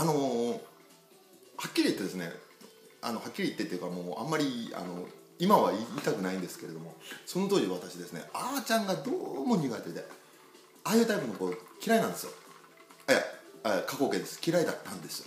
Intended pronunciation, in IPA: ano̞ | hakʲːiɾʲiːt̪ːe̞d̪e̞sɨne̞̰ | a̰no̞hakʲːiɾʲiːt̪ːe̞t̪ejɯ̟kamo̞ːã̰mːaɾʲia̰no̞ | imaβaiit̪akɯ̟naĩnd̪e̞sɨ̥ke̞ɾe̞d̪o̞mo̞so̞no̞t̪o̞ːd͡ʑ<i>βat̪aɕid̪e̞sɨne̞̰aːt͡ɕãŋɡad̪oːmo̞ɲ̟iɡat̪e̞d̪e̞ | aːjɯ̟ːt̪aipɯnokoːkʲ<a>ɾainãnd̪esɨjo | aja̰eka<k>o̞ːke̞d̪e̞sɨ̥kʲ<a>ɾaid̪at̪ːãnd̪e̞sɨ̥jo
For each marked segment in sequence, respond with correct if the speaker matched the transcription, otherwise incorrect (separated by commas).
correct, incorrect, correct, incorrect